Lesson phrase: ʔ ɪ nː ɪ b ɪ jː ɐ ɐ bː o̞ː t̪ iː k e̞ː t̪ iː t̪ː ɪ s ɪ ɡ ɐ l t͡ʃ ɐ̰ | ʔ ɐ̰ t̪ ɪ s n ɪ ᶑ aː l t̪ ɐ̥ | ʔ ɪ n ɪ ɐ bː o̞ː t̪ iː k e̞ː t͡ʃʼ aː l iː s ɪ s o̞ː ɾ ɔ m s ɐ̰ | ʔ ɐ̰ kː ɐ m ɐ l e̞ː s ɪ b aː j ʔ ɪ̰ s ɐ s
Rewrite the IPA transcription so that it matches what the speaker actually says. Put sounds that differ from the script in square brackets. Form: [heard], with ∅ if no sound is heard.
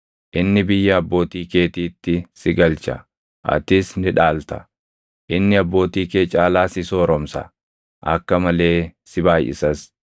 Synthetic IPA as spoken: ʔ ɪ nː ɪ b ɪ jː ɐ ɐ bː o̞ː t̪ iː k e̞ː t̪ iː t̪ː ɪ s ɪ ɡ ɐ l t͡ʃ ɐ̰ | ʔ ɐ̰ t̪ ɪ s n ɪ ᶑ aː l t̪ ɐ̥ | ʔ ɪ [nː] ɪ ɐ bː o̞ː t̪ iː k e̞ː t͡ʃʼ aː l [aː] s ɪ s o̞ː ɾ ɔ m s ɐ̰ | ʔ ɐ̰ kː ɐ m ɐ l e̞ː s ɪ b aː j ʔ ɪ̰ s ɐ s